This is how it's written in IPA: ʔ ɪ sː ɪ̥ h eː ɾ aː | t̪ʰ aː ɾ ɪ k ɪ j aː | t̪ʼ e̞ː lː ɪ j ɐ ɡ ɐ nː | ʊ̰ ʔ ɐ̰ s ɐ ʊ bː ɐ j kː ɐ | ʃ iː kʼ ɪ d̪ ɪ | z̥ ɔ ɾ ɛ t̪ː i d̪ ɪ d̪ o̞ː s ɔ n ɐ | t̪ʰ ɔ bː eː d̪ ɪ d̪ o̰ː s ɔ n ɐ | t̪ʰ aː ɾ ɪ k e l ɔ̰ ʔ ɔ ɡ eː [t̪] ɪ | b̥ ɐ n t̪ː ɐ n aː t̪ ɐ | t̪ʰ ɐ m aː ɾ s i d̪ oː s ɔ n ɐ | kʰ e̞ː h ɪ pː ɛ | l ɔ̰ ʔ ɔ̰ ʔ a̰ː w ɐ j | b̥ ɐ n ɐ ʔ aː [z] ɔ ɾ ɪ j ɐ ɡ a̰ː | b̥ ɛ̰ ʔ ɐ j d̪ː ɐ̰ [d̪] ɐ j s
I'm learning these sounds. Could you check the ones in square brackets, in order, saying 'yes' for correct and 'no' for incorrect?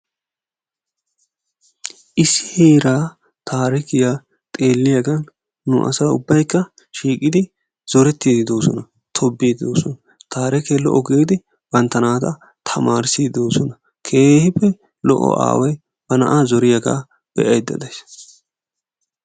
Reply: no, yes, yes

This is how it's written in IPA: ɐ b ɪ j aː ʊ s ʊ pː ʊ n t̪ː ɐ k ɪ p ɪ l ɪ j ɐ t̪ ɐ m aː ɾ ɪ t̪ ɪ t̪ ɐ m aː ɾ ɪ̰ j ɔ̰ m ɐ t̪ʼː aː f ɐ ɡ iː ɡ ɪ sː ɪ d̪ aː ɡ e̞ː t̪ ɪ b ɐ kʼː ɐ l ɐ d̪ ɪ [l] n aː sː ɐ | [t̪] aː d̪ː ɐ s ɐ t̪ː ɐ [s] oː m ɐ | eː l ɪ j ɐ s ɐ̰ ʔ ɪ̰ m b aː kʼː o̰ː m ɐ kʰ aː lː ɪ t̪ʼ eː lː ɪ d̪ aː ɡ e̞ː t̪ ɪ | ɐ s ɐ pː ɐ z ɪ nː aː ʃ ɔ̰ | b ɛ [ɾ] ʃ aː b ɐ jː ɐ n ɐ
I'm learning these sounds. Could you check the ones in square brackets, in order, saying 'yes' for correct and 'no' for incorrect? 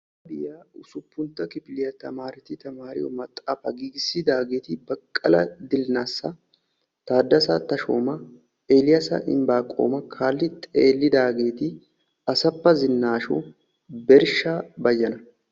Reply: yes, yes, no, yes

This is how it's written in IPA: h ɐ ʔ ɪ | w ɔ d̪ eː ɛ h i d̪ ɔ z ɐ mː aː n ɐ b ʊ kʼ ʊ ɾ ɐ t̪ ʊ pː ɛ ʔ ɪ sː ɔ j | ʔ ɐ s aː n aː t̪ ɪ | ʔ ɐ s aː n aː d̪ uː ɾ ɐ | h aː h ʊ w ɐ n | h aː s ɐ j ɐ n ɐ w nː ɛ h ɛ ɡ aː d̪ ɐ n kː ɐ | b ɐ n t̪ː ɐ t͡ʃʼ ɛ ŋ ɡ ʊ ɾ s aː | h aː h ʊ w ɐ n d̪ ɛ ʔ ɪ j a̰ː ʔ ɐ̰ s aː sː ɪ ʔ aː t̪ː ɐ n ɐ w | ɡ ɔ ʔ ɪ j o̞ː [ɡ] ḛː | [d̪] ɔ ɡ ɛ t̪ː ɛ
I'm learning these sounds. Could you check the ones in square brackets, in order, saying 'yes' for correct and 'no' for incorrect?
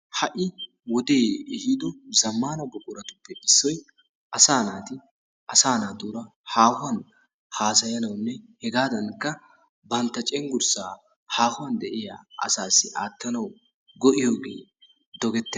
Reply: yes, yes

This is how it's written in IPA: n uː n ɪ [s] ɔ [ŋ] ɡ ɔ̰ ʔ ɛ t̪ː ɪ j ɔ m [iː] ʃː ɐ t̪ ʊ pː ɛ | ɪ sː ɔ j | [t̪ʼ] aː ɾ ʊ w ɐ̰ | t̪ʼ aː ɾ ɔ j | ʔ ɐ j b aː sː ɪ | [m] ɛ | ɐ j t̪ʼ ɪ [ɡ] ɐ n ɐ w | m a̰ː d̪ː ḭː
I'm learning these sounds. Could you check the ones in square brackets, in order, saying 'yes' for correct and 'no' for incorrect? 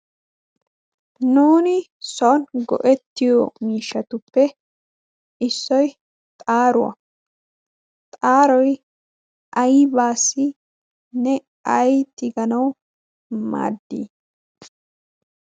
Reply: yes, no, yes, yes, no, yes

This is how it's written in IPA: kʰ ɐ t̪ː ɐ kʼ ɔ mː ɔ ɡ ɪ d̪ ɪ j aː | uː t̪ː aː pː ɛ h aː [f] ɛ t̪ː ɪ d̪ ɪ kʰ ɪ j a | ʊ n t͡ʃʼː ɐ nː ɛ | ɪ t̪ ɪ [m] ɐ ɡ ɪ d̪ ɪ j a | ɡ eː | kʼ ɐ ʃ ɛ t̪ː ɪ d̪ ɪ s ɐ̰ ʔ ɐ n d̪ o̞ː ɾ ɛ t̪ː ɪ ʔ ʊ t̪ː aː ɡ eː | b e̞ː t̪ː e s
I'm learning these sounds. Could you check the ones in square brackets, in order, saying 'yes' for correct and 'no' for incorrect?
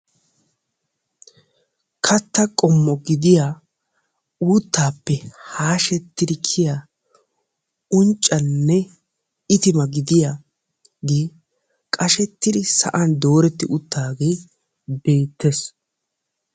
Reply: no, yes

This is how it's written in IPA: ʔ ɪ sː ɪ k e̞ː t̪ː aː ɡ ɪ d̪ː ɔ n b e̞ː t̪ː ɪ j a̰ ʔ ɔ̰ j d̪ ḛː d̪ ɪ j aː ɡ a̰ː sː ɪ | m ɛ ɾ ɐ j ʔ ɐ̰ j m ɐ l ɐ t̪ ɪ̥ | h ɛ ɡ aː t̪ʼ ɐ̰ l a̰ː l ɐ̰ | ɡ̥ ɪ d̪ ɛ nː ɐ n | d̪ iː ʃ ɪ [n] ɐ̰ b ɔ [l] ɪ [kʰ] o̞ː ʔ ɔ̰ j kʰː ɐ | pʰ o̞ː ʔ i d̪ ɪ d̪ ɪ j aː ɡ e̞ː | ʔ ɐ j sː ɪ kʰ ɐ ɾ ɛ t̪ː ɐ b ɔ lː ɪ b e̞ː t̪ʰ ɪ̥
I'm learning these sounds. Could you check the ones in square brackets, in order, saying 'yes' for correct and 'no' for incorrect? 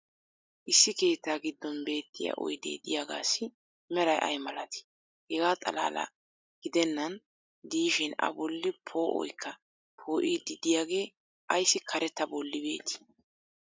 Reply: yes, no, no

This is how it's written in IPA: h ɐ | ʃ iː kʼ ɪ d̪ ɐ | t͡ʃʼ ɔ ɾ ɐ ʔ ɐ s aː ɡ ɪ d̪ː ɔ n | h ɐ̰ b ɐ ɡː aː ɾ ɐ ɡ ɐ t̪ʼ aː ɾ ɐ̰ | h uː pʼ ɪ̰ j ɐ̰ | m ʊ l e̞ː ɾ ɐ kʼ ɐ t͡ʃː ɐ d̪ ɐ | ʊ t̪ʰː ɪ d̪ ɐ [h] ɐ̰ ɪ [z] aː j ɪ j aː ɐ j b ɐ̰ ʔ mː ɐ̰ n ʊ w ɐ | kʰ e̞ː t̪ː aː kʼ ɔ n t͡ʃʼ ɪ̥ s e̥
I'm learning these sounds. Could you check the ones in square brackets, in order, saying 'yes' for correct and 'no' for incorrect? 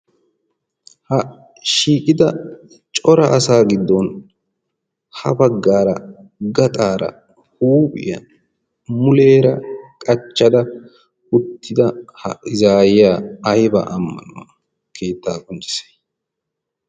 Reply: yes, yes

